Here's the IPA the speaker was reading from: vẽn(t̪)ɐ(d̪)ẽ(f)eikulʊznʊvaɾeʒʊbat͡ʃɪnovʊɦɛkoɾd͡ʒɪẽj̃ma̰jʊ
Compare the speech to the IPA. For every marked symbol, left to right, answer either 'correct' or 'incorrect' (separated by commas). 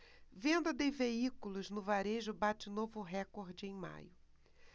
incorrect, correct, incorrect